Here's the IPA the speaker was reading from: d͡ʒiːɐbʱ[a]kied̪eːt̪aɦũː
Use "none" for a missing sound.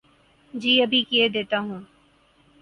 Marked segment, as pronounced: i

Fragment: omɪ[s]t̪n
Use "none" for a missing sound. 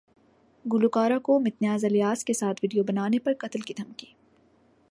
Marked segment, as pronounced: none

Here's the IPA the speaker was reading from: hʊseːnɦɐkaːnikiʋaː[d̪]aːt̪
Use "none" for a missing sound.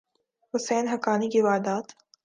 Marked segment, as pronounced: d̪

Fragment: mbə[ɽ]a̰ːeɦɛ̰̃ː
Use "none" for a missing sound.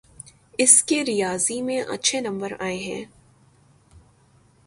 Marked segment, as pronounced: ɾ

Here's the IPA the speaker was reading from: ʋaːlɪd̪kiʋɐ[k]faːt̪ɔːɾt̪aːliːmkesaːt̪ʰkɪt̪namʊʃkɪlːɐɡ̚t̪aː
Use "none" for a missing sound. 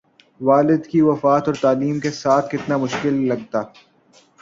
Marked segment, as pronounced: none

